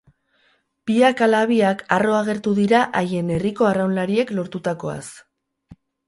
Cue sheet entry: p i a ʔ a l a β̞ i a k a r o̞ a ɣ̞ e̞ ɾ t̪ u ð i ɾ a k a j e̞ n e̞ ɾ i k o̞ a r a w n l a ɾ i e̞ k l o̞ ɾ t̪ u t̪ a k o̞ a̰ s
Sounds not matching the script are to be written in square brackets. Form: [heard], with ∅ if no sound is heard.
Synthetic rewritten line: p i a [k] a l a β̞ i a k a r o̞ a ɣ̞ e̞ ɾ t̪ u ð i ɾ a [ʔ] a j e̞ n e̞ [r] i k o̞ a r a w n l a ɾ i e̞ k l o̞ ɾ t̪ u t̪ a k o̞ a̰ s